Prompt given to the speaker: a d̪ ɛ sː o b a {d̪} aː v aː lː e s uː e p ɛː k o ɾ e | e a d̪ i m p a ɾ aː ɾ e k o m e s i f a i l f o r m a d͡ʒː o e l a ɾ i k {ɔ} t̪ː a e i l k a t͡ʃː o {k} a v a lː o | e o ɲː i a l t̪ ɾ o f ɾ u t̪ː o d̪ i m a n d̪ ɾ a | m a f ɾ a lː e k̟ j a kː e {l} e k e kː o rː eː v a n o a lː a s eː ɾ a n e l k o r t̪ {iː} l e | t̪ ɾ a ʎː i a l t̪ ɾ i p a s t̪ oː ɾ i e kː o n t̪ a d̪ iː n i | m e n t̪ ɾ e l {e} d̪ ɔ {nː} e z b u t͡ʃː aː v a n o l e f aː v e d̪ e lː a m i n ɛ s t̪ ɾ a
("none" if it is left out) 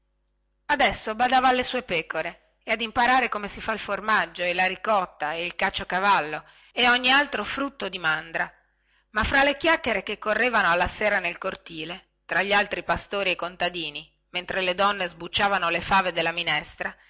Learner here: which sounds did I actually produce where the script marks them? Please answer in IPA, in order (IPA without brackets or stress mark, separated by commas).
d̪, ɔ, k, ɾ, iː, e, nː